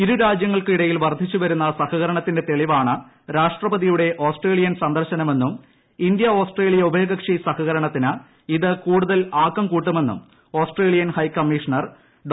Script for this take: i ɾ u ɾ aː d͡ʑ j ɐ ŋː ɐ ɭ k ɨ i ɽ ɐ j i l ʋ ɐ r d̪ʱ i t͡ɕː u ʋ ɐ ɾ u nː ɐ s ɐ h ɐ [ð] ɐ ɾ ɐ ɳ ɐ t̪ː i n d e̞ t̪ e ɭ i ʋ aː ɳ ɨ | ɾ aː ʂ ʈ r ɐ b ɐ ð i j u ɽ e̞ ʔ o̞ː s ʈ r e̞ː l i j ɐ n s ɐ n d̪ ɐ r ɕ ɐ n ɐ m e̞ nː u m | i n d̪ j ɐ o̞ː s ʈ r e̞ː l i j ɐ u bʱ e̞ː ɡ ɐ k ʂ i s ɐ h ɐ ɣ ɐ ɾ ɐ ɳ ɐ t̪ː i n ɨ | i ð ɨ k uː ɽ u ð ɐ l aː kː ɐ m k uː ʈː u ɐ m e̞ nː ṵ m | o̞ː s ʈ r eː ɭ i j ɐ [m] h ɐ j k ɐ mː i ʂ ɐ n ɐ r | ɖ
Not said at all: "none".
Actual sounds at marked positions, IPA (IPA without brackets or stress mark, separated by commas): ɣ, n